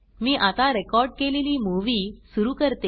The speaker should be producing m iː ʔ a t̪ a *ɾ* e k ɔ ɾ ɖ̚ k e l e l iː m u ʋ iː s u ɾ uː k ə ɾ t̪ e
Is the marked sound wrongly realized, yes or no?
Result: no